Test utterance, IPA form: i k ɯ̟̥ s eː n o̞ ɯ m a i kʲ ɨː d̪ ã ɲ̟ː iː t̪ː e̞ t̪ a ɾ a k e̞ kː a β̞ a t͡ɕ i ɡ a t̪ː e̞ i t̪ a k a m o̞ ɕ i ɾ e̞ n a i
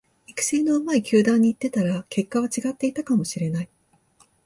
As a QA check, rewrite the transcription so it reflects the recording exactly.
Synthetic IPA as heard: i k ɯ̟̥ s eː n o̞ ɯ m a i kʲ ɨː d̪ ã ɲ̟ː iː t̪ː e̞ t̪ a ɾ a k e̞ kː a β̞ a t͡ɕ i ɡ a t̪ː e̞ i t̪ a k a m o̞ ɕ i ɾ e̞ n a i

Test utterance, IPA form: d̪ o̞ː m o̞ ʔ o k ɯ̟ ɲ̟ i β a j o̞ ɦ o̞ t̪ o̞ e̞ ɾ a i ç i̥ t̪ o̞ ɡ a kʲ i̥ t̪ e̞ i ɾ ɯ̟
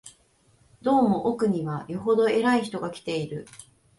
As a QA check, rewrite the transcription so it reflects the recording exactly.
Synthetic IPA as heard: d̪ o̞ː m o̞ ʔ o k ɯ̟ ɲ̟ i β a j o̞ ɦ o̞ d̪ o̞ e̞ ɾ a i ç i̥ t̪ o̞ ɡ a kʲ i̥ t̪ e̞ i ɾ ɯ̟

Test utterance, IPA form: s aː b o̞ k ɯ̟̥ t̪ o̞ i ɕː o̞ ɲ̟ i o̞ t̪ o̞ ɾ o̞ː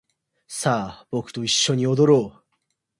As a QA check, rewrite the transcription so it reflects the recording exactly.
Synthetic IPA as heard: s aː b o̞ k ɯ̟̥ t̪ o̞ i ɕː o̞ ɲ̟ i o̞ d̪ o̞ ɾ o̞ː

